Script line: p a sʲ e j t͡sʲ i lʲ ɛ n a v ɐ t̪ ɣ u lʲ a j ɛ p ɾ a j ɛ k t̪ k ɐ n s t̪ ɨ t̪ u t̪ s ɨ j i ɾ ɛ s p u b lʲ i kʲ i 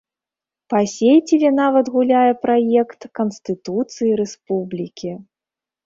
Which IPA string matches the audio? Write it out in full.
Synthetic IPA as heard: p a sʲ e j t͡sʲ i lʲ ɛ n a v ɐ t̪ ɣ u lʲ a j ɛ p ɾ a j ɛ k t̪ k ɐ n s t̪ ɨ t̪ u t̪ s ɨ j i ɾ ɛ s p u b lʲ i kʲ i